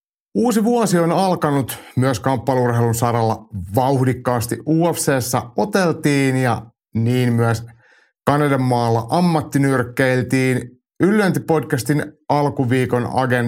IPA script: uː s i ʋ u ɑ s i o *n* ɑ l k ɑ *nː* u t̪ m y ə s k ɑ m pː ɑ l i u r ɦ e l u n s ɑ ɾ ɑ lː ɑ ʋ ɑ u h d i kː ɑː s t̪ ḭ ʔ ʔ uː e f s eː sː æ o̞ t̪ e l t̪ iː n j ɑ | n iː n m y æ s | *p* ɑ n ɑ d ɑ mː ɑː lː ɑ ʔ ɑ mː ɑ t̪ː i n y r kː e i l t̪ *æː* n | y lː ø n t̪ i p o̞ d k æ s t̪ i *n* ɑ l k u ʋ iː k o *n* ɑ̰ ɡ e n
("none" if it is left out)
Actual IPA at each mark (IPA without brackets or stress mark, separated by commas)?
n, n, k, iː, n, n